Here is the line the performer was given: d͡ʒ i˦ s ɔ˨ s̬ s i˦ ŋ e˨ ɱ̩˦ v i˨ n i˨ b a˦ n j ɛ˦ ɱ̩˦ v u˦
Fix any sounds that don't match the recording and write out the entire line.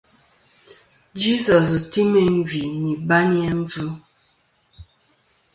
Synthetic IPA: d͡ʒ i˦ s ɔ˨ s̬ t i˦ m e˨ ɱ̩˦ v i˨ n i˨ b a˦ n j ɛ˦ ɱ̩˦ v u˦